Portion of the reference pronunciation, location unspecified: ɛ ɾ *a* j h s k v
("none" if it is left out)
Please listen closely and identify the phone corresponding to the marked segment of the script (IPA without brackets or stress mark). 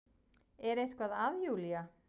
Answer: e